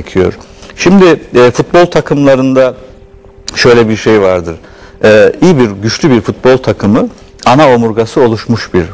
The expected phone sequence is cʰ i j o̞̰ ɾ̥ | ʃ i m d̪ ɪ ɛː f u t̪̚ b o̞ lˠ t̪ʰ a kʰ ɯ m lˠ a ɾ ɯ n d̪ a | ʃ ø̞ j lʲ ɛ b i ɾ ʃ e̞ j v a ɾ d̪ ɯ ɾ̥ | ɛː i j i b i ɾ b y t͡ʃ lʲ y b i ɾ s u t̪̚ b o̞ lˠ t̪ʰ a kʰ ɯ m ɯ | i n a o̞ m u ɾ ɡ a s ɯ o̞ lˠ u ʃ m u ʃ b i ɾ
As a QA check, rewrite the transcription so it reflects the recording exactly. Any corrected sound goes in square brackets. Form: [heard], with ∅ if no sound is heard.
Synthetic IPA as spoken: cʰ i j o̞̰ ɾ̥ | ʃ i m d̪ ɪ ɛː f u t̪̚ b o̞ lˠ t̪ʰ a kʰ ɯ m lˠ a ɾ ɯ n d̪ a | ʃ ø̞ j lʲ ɛ b i ɾ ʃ e̞ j v a ɾ d̪ ɯ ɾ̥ | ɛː i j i b i ɾ [ɟ] y t͡ʃ lʲ y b i ɾ [f] u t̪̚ b o̞ lˠ t̪ʰ a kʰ ɯ m ɯ | [a] n a o̞ m u ɾ ɡ a s ɯ o̞ lˠ u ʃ m u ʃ b i ɾ